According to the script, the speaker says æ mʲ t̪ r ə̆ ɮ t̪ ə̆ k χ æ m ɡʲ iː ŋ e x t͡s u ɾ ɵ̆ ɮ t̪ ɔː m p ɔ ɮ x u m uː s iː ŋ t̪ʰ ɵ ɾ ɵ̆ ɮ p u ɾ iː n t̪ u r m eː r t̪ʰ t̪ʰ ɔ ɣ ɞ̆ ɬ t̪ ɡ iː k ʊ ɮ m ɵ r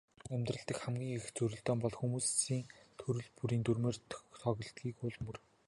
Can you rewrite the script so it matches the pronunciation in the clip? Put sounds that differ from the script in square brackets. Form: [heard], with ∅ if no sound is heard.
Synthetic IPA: æ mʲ t̪ r ə̆ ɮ t̪ ə̆ k χ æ m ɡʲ iː ŋ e x t͡s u ɾ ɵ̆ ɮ t̪ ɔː m p ɔ ɮ x u m uː s iː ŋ t̪ʰ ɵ ɾ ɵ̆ ɮ p u ɾ iː n t̪ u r m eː r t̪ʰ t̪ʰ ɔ ɣ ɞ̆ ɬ t̪ ɡ iː k ʊ ɮ m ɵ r